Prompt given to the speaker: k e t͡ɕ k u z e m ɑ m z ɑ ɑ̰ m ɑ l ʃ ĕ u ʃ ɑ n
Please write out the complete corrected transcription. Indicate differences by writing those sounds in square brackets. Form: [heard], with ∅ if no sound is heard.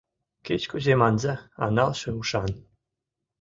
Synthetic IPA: k e t͡ɕ k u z e m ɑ [n] z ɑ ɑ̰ [n] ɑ l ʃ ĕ u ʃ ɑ n